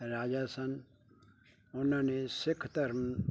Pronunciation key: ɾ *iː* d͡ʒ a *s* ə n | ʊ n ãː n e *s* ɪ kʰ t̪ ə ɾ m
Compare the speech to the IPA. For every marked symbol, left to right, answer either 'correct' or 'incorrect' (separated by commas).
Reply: incorrect, correct, correct